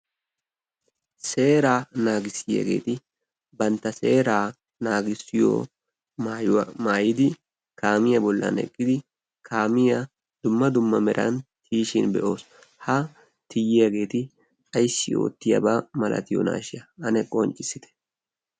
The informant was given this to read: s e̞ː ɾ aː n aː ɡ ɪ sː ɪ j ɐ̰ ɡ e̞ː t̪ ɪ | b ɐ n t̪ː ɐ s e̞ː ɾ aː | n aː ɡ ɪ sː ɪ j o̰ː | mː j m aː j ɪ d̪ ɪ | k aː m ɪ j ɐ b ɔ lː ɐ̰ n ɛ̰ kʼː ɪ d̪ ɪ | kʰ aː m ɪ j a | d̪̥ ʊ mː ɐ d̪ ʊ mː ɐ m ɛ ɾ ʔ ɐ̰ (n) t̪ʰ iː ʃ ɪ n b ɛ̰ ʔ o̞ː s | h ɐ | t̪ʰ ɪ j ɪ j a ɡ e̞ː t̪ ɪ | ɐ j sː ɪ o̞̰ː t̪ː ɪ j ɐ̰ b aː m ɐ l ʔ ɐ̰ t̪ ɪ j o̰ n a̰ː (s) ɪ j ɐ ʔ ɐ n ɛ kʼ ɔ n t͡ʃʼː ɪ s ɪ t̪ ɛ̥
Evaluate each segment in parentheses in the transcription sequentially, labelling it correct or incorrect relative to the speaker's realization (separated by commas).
correct, incorrect